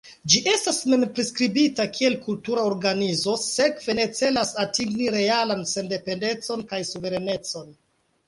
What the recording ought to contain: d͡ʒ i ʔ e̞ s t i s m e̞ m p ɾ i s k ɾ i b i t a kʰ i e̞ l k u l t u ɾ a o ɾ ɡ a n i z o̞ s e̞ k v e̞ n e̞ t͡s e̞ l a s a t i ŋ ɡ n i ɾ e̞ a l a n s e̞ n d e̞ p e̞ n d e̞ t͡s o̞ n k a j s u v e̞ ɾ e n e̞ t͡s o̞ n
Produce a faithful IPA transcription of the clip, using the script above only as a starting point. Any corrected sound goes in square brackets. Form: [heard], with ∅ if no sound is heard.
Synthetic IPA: d͡ʒ i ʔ e̞ s t [a] s m e̞ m p ɾ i s k ɾ i b i t a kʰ i e̞ l k u l t u ɾ a o ɾ ɡ a n i z o̞ s e̞ k v e̞ n e̞ t͡s e̞ l a s a t i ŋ ɡ n i ɾ e̞ a l a n s e̞ n d e̞ p e̞ n d e̞ t͡s o̞ n k a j s u v e̞ ɾ e n e̞ t͡s o̞ n